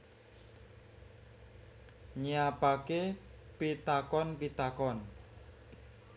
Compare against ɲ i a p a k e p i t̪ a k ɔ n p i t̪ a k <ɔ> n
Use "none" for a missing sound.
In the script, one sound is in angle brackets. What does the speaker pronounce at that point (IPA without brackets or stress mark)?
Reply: ɔ